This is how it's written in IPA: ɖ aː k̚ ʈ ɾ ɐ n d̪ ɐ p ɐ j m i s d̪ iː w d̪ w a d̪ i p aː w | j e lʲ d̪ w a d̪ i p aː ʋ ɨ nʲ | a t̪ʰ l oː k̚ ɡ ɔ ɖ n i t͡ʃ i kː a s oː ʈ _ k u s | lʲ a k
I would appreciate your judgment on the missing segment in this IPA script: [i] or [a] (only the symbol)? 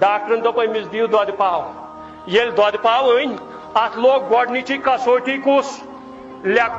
i